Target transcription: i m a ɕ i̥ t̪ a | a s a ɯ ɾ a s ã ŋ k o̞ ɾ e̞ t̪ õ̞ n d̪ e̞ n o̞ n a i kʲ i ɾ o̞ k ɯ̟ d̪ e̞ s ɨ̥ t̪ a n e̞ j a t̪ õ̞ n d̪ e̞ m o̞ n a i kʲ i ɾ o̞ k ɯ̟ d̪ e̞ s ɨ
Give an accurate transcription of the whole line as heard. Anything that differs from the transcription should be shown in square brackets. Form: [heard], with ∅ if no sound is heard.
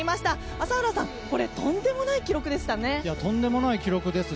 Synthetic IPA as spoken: i m a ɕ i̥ t̪ a | a s a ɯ ɾ a s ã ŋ k o̞ ɾ e̞ t̪ õ̞ n d̪ e̞ [m] o̞ n a i kʲ i ɾ o̞ k ɯ̟ d̪ e̞ s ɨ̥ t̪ a n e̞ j a t̪ õ̞ n d̪ e̞ m o̞ n a i kʲ i ɾ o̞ k ɯ̟ d̪ e̞ s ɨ